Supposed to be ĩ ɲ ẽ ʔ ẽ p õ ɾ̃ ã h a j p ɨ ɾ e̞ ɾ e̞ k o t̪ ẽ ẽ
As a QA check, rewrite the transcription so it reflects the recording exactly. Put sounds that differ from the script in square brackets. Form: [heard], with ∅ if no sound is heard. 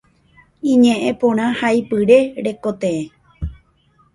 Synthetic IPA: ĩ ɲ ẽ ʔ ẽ p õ ɾ̃ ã h a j p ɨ ɾ e̞ ɾ e̞ k o t̪ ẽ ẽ